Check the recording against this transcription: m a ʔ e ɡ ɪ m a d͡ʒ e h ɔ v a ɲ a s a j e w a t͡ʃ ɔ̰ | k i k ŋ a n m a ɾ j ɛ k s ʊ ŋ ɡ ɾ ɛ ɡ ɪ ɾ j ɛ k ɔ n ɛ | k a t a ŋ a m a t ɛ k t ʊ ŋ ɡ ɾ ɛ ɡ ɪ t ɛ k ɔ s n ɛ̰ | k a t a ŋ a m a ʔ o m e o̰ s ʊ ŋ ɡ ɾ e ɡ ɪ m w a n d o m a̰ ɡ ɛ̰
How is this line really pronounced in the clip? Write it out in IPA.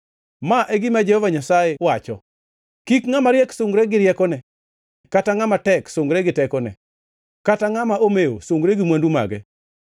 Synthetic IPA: m a ʔ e ɡ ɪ m a d͡ʒ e h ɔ v a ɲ a s a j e w a t͡ʃ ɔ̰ | k i k ŋ a m a ɾ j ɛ k s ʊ ŋ ɡ ɾ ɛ ɡ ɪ ɾ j ɛ k ɔ n ɛ | k a t a ŋ a m a t ɛ k s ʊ ŋ ɡ ɾ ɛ ɡ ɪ t ɛ k ɔ n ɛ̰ | k a t a ŋ a m a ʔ o m e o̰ s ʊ ŋ ɡ ɾ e ɡ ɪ m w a n d u m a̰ ɡ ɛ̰